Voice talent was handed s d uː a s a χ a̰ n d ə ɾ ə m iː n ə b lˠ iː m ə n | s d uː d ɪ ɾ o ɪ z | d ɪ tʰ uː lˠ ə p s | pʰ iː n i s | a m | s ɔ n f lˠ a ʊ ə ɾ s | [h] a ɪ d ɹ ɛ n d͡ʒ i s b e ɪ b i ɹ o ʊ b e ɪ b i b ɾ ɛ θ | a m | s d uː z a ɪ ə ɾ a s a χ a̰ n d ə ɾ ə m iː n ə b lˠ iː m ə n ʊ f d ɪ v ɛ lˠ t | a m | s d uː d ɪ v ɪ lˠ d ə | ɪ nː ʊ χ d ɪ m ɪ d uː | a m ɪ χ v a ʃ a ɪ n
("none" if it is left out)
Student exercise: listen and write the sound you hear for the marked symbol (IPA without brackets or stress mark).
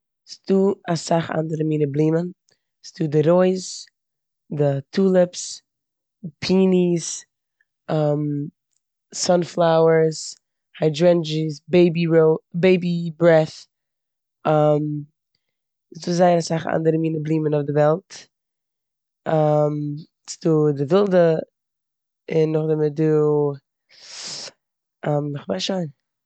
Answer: h